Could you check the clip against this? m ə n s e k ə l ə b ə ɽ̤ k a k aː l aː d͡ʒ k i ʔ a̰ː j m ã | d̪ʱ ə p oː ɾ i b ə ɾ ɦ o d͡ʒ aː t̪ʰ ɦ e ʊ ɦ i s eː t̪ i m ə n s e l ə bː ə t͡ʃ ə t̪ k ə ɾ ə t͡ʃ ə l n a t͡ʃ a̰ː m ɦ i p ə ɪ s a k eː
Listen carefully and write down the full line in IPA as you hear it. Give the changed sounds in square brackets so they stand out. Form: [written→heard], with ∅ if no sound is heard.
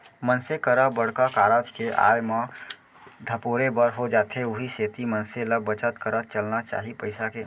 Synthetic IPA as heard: m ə n s e k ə [l→ɾ] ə b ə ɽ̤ k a k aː [l→ɾ] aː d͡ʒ k [i→e] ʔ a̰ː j m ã | d̪ʱ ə p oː ɾ [i→e] b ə ɾ ɦ o d͡ʒ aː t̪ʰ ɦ e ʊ ɦ i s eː t̪ i m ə n s e l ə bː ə t͡ʃ ə t̪ k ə ɾ ə t͡ʃ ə l n a t͡ʃ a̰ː [m→∅] ɦ i p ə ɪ s a k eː